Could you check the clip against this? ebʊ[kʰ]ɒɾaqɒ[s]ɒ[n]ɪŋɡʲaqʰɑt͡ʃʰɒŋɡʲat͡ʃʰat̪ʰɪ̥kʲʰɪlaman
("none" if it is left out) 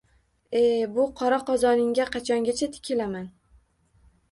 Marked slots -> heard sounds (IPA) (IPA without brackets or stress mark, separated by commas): qʰ, z, n